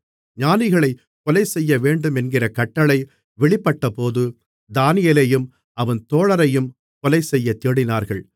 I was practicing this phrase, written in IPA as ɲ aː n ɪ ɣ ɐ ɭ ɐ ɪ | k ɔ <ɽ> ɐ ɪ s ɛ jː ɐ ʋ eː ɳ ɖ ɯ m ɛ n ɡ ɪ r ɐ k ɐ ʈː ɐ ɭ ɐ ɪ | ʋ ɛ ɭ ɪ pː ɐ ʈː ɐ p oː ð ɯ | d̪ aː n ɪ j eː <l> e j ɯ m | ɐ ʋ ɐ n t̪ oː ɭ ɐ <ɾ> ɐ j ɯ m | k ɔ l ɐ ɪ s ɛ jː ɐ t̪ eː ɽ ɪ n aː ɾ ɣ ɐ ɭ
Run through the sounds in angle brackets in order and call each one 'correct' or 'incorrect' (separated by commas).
incorrect, correct, correct